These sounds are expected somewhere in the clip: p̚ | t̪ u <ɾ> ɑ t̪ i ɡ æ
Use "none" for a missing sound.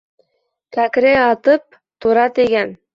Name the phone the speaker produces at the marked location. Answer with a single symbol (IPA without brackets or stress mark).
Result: ɾ